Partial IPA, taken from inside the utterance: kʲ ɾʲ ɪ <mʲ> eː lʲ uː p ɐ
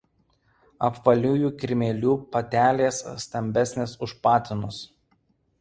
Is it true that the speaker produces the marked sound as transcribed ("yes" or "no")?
yes